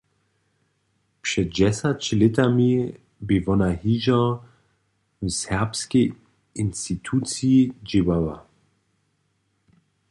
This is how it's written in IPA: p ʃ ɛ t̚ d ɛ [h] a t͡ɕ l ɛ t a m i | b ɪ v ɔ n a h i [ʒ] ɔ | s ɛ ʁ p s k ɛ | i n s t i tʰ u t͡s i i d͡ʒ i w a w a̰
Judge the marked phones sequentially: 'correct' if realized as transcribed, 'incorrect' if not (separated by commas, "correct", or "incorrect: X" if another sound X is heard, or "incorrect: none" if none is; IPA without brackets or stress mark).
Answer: incorrect: s, correct